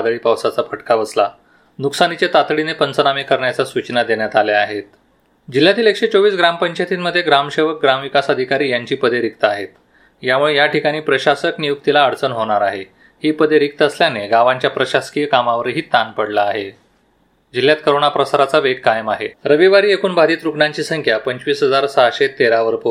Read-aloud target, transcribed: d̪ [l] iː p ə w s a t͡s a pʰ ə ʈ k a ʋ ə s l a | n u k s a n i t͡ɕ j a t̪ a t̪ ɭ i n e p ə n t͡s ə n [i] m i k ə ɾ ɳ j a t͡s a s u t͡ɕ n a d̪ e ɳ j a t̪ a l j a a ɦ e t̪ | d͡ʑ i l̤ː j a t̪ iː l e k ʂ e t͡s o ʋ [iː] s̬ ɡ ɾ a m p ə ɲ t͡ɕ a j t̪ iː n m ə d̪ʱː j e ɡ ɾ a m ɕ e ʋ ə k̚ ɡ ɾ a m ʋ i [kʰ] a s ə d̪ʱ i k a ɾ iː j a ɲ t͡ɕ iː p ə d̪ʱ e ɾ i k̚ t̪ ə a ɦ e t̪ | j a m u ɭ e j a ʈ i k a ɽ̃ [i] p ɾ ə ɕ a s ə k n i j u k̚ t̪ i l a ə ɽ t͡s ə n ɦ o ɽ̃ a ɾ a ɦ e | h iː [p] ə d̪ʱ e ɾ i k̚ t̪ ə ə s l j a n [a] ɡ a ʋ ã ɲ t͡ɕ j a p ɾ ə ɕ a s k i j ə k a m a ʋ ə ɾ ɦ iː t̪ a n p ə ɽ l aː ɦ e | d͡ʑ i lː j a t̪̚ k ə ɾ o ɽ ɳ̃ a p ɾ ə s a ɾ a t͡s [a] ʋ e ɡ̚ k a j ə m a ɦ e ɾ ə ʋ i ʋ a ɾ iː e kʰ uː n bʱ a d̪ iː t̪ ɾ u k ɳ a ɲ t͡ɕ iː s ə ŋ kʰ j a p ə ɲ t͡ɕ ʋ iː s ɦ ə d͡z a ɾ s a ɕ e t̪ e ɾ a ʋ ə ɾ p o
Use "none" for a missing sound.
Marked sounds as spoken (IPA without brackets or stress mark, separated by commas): ɭ, a, iː, k, iː, p, e, a